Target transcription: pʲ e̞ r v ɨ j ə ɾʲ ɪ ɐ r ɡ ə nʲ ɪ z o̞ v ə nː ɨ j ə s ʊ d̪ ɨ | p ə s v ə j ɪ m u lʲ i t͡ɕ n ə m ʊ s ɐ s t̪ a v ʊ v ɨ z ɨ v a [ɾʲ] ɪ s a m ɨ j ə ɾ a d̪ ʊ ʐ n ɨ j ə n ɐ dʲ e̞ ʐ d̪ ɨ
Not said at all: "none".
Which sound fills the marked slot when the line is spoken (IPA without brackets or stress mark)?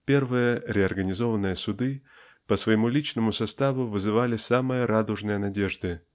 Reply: lʲ